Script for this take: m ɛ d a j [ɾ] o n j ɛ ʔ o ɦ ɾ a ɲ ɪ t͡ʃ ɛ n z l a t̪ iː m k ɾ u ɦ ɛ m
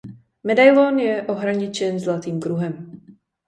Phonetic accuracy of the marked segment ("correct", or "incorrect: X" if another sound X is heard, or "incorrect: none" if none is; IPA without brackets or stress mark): incorrect: l